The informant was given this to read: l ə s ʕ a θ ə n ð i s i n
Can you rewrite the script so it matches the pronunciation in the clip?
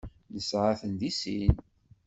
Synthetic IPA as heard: l ə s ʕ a θ ə n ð i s i n

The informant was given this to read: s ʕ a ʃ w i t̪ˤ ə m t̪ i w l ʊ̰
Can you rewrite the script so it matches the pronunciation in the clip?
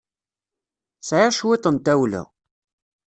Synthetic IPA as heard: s ʕ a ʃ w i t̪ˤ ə n t̪ æ w l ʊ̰

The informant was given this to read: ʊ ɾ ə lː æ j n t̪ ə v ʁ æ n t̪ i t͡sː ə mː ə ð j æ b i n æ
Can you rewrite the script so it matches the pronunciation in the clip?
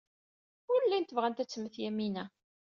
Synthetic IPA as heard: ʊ ɾ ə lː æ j n t̪ ə v ʁ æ n t̪ æ t͡sː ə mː ə θ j æ m i n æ

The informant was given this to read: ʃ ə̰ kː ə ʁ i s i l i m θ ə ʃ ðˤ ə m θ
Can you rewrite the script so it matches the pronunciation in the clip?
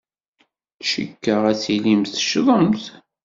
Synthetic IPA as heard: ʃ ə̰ kː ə ʁ æ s i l i m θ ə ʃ ðˤ ə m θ

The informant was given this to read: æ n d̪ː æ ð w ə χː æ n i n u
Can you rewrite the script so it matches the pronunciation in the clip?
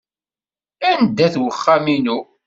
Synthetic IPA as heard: æ n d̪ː æ θ w ə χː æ m i n u

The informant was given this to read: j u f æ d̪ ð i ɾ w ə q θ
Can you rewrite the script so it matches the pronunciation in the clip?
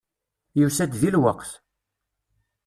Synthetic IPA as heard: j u s æ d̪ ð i l w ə q θ

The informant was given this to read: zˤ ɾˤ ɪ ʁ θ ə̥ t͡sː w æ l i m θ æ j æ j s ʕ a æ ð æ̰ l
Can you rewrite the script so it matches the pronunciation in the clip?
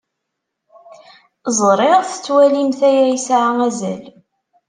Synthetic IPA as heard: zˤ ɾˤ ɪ ʁ θ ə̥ t͡sː w æ l i m θ æ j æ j s ʕ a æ z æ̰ l

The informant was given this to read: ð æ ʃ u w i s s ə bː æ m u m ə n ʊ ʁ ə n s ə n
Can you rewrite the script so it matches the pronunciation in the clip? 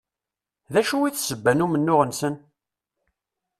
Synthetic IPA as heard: ð æ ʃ u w i θ s ə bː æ n u m ə nː ʊ ʁ ə n s ə n

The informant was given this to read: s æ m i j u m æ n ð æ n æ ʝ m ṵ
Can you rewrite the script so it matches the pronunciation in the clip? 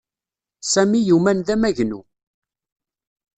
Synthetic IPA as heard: s æ m i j u m æ n ð æ m æ ʝ n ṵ

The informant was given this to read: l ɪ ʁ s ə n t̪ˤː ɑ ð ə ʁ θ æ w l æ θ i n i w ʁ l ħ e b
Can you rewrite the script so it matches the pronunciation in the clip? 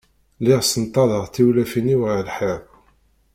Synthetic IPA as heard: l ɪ ʁ s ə n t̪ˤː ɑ ð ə ʁ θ i w l æ f i n i w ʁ l ħ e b

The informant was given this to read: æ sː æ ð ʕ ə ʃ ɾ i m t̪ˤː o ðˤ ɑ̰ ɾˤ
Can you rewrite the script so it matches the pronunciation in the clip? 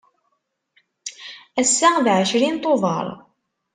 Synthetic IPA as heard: æ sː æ ð ʕ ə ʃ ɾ i n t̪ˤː o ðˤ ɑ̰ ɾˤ

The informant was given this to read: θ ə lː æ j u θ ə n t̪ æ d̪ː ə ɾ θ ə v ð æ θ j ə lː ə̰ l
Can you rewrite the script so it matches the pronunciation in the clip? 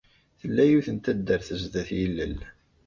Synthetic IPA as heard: θ ə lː æ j u θ ə n t̪ æ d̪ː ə ɾ θ ə z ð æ θ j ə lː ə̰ l

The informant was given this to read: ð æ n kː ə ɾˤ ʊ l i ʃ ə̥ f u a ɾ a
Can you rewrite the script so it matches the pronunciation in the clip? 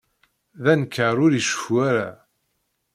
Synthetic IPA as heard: ð æ n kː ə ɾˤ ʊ ɾ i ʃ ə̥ f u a ɾ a

